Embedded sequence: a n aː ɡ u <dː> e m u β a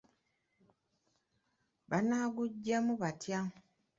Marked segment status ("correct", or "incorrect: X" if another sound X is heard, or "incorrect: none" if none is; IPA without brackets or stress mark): incorrect: ɟː